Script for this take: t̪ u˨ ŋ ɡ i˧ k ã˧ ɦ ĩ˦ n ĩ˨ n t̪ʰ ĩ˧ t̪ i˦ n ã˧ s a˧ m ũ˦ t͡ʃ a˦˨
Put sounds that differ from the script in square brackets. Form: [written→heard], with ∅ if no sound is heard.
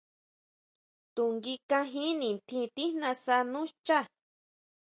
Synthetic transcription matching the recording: t̪ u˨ ŋ ɡ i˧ k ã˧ ɦ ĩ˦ n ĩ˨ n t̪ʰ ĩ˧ t̪ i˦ n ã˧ s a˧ [m→n] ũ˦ t͡ʃ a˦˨